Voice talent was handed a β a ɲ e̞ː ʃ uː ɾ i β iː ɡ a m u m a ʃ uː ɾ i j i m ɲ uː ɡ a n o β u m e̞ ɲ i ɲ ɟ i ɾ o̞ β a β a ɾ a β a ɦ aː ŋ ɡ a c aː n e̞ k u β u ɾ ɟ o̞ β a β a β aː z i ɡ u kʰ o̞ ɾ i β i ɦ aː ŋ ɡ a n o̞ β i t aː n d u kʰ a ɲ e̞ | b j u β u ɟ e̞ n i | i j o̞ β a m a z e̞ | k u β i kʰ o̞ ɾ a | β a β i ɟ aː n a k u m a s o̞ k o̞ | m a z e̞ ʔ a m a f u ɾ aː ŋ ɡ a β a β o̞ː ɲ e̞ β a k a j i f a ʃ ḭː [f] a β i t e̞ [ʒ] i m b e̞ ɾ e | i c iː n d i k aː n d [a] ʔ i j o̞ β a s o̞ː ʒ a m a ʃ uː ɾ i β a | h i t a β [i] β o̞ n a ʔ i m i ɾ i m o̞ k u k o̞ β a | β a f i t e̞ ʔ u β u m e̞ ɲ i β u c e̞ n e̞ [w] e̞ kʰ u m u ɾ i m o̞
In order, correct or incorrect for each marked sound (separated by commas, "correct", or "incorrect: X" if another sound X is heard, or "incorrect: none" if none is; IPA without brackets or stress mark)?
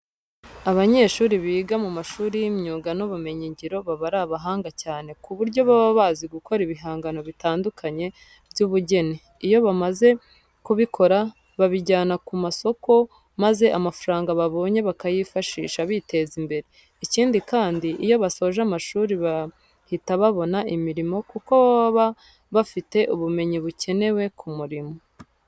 incorrect: ʃ, incorrect: z, incorrect: i, incorrect: a, correct